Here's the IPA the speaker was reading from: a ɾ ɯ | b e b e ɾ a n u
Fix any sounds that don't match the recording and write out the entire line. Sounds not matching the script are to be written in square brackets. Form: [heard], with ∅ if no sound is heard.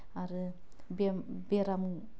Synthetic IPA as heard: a ɾ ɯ | b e b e ɾ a [m] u